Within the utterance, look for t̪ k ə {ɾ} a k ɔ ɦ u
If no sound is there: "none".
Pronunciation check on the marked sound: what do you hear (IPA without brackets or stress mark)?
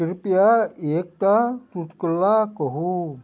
l